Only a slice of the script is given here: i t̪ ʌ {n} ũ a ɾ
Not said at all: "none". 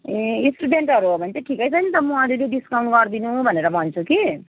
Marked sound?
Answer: m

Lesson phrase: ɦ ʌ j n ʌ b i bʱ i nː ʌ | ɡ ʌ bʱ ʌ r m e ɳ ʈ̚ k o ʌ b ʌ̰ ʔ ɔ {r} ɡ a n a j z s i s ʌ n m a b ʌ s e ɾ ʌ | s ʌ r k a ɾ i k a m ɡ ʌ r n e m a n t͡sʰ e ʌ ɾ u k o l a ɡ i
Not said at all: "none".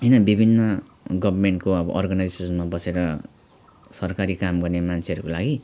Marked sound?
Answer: r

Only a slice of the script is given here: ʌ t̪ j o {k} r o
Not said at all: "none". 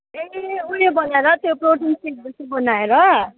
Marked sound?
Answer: p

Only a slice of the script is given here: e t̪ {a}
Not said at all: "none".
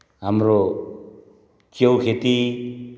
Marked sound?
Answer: i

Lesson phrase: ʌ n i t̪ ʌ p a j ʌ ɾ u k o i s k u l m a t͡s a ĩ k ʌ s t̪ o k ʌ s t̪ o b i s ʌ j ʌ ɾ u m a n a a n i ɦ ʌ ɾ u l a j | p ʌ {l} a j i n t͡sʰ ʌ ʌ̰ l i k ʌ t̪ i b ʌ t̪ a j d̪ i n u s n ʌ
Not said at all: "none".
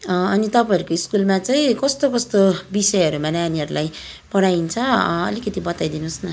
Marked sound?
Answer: ɽ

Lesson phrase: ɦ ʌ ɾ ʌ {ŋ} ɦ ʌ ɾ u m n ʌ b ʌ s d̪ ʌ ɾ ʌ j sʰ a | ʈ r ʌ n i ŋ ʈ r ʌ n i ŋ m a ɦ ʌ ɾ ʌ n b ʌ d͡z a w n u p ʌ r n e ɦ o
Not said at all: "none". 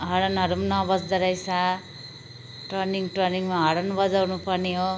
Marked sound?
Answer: n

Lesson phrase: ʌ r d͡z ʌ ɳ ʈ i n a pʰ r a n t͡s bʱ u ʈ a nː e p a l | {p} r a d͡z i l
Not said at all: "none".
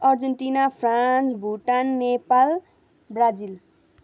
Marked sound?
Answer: b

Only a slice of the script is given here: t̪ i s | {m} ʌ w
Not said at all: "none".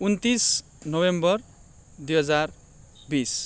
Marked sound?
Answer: n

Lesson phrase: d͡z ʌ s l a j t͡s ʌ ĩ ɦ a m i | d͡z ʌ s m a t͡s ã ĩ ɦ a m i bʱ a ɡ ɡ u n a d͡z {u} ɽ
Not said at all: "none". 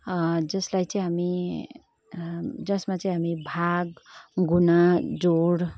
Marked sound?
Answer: o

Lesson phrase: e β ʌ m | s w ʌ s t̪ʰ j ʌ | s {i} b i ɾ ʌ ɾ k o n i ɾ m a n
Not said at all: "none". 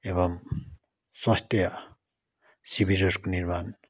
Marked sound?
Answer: i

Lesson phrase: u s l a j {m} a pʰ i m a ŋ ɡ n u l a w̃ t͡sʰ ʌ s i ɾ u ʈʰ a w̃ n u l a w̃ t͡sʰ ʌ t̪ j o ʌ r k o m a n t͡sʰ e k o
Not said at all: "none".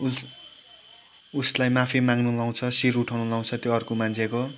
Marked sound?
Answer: m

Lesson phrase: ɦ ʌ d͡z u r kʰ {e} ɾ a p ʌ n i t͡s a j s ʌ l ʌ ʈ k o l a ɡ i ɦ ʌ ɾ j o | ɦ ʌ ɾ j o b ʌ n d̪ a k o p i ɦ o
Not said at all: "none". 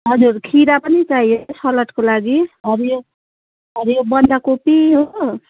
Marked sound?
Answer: i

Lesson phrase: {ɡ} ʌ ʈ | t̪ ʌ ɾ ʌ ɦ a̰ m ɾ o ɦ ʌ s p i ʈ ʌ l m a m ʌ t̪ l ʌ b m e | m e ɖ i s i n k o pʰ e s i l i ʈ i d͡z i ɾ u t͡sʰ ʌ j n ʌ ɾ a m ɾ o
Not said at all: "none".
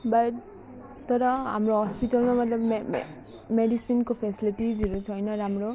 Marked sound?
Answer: b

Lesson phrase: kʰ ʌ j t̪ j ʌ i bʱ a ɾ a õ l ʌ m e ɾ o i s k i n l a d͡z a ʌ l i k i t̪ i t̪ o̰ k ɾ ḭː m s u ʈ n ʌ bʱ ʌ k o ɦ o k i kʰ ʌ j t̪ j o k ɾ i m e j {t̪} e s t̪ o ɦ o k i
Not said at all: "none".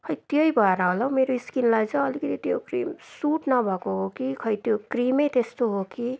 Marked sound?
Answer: t̪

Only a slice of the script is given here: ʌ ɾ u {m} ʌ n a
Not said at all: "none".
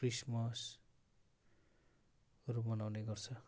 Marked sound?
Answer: m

